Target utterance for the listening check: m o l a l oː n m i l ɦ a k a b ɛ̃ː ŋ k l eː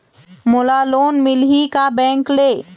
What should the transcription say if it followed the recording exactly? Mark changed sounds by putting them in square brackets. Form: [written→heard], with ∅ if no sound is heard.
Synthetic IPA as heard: m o l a l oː n m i l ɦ [a→i] k a b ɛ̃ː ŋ k l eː